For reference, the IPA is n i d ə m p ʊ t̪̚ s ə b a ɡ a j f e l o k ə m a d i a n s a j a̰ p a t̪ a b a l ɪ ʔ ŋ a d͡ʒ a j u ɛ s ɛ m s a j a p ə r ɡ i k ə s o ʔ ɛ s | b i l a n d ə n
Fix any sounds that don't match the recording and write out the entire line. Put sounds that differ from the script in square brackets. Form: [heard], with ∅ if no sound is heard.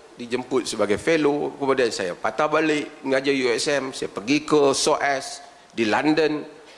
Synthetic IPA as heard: [d] i [d͡ʒ] ə m p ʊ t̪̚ s ə b a ɡ a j f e l o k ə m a d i a n s a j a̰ p a t̪ a b a l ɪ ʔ ŋ a d͡ʒ a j u ɛ s ɛ m s a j a p ə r ɡ i k ə s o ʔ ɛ s | [d] i l a n d ə n